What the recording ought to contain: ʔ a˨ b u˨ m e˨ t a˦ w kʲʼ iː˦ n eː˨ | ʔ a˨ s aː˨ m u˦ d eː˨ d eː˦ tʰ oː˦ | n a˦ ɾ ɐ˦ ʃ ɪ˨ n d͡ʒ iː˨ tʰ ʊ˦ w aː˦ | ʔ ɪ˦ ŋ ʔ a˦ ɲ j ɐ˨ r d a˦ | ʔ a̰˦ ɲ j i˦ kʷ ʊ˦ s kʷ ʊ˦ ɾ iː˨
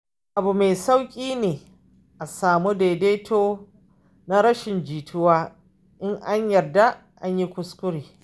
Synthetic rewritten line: ʔ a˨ b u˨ m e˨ s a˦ w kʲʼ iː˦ n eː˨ | ʔ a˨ s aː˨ m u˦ d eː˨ d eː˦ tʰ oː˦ | n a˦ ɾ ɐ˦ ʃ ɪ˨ n d͡ʒ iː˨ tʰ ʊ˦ w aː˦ | ʔ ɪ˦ ŋ ʔ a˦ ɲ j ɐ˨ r d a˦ | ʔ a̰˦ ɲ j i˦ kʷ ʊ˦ s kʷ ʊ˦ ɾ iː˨

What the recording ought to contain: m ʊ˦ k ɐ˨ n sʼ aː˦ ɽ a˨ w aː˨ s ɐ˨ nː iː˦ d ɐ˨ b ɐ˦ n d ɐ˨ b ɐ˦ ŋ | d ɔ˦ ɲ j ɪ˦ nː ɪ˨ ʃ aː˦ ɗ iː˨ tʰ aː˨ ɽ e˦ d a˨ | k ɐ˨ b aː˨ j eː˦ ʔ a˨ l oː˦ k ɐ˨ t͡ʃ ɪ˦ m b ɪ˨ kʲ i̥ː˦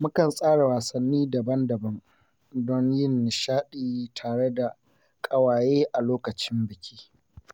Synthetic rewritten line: m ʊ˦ k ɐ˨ n sʼ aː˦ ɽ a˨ w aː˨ s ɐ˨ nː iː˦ d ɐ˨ b ɐ˦ n d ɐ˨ b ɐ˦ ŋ | d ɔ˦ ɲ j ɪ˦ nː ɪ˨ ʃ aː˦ ɗ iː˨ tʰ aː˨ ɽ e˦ d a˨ | kʼ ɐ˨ w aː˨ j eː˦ ʔ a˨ l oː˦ k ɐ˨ t͡ʃ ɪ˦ m b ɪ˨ kʲ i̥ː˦

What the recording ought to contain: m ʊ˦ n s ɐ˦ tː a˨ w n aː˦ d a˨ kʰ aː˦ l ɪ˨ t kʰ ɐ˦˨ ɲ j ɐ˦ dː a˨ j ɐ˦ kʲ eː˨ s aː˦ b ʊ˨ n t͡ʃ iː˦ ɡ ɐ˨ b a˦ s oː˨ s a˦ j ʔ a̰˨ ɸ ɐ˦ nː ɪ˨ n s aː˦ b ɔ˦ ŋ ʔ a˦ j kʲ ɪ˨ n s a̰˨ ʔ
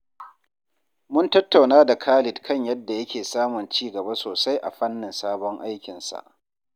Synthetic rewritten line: m ʊ˦ n t ɐ˦ tː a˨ w n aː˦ d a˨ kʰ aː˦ l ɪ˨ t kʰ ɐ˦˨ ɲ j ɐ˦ dː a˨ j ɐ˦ kʲ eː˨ s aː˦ m ʊ˨ n t͡ʃ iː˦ ɡ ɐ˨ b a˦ s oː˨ s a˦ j ʔ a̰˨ ɸ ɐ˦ nː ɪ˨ n s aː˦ b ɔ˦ ŋ ʔ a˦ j kʲ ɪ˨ n s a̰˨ ʔ

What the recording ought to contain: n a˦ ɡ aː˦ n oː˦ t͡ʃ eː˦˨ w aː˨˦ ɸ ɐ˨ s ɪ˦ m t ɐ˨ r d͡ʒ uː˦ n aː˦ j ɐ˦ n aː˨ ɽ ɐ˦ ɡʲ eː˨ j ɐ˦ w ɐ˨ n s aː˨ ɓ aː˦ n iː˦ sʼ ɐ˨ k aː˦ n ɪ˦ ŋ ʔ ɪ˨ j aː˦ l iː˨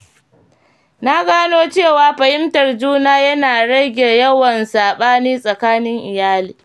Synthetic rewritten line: n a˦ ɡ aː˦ n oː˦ t͡ʃ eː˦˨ w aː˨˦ ɸ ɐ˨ h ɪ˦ m t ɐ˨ r d͡ʒ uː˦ n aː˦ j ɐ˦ n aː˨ ɽ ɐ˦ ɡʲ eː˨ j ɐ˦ w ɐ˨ n s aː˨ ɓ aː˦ n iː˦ sʼ ɐ˨ k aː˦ n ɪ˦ ŋ ʔ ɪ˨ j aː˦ l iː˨

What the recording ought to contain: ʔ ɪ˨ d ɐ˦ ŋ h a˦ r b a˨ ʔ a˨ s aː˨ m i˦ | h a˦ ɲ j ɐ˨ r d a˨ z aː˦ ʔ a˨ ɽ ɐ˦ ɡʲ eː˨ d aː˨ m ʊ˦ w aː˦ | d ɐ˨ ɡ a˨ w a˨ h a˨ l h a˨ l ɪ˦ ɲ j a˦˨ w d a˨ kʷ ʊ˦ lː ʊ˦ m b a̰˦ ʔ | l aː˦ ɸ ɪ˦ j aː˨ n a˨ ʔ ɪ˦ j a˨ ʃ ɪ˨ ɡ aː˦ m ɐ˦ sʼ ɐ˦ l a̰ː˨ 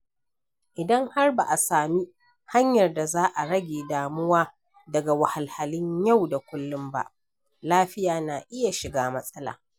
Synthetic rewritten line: ʔ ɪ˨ d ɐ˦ ŋ h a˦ r b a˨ ʔ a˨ s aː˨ m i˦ | h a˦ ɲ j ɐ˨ r d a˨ z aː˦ ʔ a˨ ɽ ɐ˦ ɡʲ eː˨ d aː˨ m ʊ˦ w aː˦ | d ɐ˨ ɡ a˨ w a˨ h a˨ l h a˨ l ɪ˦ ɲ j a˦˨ w d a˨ kʷ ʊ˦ lː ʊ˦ m b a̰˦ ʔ | l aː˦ ɸ ɪ˦ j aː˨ n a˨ ʔ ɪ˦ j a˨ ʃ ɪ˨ ɡ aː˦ m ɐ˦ sʼ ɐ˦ l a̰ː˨

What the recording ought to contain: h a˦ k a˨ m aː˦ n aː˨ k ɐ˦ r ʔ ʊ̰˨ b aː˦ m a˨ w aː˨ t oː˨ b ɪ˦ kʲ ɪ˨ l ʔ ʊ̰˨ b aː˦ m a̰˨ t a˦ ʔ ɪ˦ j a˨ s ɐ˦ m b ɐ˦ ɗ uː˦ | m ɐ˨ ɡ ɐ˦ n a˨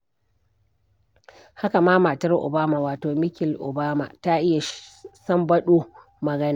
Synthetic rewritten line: h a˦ k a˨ m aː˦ m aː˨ t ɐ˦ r ʔ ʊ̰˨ b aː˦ m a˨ w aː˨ t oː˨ m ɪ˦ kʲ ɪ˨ l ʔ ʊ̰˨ b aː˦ m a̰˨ t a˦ ʔ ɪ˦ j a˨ s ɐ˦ m b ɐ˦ ɗ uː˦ | m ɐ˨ ɡ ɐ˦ n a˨

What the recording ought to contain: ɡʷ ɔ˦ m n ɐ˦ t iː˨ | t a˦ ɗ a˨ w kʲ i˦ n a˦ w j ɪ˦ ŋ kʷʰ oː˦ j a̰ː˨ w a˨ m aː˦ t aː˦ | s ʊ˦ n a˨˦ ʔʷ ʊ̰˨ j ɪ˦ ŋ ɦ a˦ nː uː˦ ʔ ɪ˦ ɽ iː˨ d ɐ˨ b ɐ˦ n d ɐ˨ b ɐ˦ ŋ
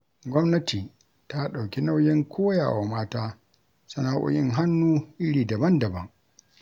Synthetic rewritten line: ɡʷ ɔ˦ m n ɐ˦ t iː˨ | t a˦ ɗ a˨ w kʲ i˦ n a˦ w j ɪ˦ ŋ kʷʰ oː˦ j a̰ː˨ w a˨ m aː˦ t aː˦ | s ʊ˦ n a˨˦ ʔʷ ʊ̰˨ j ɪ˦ ŋ ɦ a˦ nː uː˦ ʔ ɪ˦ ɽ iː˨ d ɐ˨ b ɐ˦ n d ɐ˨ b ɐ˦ ŋ

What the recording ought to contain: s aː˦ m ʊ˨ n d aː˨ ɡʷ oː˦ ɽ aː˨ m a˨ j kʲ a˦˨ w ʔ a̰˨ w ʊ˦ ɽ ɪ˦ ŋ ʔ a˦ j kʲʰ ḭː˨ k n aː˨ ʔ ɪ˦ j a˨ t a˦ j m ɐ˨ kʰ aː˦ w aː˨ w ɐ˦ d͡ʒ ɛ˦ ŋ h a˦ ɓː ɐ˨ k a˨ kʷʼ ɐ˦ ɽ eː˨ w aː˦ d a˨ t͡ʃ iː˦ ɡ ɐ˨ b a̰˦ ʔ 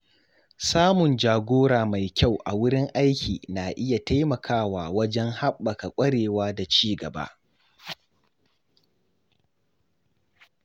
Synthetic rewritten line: s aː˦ m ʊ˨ n d͡ʒ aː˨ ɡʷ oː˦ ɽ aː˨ m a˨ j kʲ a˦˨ w ʔ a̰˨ w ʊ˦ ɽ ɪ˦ ŋ ʔ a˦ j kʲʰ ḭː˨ n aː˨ ʔ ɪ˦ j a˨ t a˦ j m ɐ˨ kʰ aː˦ w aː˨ w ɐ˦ d͡ʒ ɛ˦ ŋ h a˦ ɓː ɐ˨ k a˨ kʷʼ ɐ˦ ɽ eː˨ w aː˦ d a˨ t͡ʃ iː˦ ɡ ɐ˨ b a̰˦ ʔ

